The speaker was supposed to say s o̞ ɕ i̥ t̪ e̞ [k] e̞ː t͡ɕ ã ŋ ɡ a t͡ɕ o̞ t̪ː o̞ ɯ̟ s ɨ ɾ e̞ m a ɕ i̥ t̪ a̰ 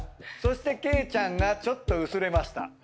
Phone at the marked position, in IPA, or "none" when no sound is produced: k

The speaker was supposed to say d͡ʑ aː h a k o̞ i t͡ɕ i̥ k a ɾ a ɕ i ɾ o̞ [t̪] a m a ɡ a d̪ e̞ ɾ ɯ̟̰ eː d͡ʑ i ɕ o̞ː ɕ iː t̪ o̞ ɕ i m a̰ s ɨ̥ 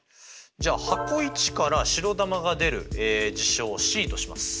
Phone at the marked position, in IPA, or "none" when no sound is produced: d̪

